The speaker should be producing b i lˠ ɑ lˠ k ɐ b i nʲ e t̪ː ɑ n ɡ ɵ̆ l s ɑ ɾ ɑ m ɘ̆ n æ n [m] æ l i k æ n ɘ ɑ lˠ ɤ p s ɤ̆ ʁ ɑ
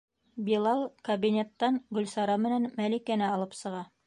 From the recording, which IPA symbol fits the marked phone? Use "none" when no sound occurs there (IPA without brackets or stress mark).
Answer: m